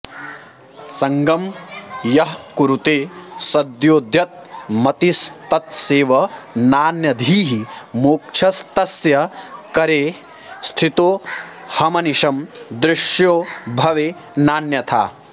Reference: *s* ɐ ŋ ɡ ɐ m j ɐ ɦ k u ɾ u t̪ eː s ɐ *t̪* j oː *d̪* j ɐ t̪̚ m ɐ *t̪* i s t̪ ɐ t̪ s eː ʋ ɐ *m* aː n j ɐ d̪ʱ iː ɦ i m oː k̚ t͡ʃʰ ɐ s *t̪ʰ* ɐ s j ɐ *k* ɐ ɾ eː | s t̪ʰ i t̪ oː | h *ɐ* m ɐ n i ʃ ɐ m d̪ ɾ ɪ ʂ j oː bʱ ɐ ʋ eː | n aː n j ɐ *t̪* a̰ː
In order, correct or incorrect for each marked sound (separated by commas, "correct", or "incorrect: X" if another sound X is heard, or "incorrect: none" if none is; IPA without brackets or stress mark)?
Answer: correct, incorrect: d̪, correct, correct, incorrect: n, incorrect: t̪, correct, correct, incorrect: t̪ʰ